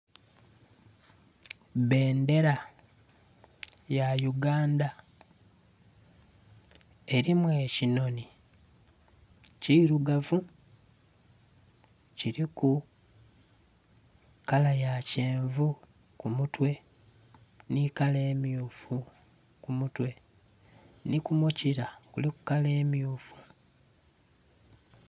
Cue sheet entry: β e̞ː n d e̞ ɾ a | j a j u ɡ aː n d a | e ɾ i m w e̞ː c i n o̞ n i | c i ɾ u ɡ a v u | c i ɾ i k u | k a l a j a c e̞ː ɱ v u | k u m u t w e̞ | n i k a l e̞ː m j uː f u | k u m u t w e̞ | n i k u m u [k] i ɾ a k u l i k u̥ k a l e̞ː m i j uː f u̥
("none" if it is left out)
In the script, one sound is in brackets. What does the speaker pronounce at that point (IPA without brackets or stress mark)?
c